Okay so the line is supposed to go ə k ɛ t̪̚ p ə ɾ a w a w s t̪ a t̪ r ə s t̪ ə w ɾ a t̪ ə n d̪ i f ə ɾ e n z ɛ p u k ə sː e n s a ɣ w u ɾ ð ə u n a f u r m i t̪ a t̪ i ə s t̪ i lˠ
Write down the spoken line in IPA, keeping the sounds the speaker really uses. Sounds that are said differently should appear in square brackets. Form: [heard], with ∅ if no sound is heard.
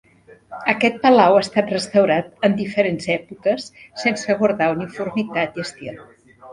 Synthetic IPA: ə k ɛ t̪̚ p ə [l] a w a [∅] s t̪ a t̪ r ə s t̪ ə w ɾ a t̪ ə n d̪ i f ə ɾ e n z ɛ p u k ə sː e n s [ə] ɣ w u ɾ ð [a] u n [i] f u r m i t̪ a t̪ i ə s t̪ i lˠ

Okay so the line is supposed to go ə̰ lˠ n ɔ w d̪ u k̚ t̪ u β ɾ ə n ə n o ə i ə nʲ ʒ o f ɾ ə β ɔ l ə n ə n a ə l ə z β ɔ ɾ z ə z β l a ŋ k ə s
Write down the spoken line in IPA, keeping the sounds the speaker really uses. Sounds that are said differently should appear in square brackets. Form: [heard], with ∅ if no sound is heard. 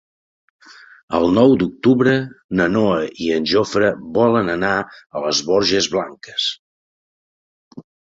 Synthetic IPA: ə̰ lˠ n ɔ w d̪ u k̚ t̪ u β ɾ ə n ə n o ə i ə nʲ ʒ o f ɾ ə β ɔ l ə n ə n a ə l ə z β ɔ ɾ [ʒ] ə z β l a ŋ k ə s

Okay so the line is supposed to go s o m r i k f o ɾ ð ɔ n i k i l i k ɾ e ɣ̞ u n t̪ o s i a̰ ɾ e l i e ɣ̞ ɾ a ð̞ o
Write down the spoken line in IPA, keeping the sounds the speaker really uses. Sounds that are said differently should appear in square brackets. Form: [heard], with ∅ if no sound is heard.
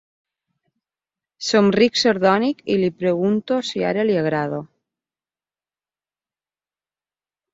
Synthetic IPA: s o m r i k [s] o ɾ ð ɔ n i k i l i [p] ɾ e ɣ̞ u n t̪ o s i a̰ ɾ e l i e ɣ̞ ɾ a ð̞ o

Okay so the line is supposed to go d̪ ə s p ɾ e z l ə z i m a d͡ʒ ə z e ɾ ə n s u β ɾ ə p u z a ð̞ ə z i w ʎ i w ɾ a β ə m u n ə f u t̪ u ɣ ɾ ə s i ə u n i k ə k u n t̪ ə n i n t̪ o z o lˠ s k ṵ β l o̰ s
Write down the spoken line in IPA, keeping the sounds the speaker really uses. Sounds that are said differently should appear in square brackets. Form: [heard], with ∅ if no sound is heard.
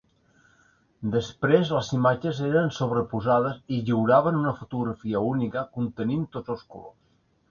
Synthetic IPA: d̪ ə s p ɾ e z l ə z i m a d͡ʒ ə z e ɾ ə n s [o] β ɾ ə p u z a ð̞ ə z i [∅] ʎ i w ɾ a β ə [n] u n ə f u t̪ u ɣ ɾ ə [f] i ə u n i k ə k u n t̪ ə n i n t̪ o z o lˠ s k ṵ [∅] l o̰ s

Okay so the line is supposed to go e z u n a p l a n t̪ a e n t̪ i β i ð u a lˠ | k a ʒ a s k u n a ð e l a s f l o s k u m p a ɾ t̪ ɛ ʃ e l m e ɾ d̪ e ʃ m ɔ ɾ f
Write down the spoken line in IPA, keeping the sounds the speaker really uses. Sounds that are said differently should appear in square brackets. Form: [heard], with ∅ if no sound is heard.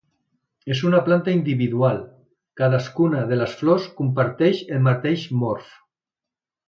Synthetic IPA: e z u n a p l a n t̪ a [i] n [d̪] i β i ð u a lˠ | k a [ð] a s k u n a ð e l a s f l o s k u m p a ɾ t̪ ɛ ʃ e l m [a] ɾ [t̪] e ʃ m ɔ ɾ f

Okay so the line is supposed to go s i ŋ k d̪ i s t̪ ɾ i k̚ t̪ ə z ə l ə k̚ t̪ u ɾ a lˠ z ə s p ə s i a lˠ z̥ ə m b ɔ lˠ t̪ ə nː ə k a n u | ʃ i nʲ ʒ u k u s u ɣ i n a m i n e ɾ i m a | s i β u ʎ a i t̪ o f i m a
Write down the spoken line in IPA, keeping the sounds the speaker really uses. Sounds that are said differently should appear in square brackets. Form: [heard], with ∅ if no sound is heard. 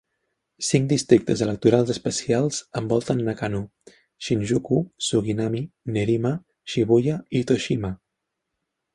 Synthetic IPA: s i ŋ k d̪ i s t̪ ɾ i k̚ t̪ ə z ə l ə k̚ t̪ u ɾ a lˠ z ə s p ə s i a lˠ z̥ ə m b ɔ lˠ t̪ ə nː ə k a n u | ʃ i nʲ ʒ u k u s u ɣ i n a m i n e ɾ i m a | [ʃ] i β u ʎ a i t̪ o [ʃ] i m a

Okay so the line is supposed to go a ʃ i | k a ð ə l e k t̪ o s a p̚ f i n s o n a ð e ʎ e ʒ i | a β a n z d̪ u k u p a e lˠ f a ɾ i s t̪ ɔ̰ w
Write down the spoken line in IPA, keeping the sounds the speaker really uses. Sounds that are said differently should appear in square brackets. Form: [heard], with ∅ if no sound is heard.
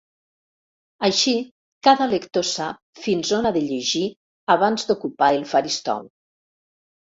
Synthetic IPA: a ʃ i | k a ð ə l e k t̪ o s a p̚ f i n [z] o n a ð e ʎ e ʒ i | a β a n z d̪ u k u p a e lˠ f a ɾ i s t̪ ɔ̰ w

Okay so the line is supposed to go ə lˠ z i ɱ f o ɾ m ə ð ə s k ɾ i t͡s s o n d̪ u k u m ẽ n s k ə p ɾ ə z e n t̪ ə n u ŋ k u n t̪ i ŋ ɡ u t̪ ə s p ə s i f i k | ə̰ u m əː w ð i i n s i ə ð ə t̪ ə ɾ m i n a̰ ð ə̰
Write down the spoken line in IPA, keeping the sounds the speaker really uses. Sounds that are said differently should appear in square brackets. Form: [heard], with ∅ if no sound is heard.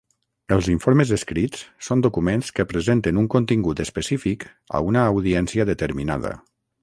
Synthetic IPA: ə lˠ z i ɱ f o ɾ m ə [z] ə s k ɾ i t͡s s o n d̪ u k u m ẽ n s k ə p ɾ ə z e n t̪ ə n u ŋ k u n t̪ i ŋ ɡ u t̪ ə s p ə s i f i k | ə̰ u [n] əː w ð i [ɛ] n s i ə ð ə t̪ ə ɾ m i n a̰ ð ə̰

